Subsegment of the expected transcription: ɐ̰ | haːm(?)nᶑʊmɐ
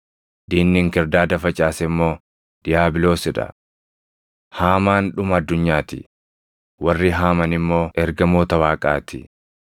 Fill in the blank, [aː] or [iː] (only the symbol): aː